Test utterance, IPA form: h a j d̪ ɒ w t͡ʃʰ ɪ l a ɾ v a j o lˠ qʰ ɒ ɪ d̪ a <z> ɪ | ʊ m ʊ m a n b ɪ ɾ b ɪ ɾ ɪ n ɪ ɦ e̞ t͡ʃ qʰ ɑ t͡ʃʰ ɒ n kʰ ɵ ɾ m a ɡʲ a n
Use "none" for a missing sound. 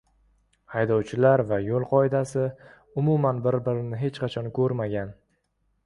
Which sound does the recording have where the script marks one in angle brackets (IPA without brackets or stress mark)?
s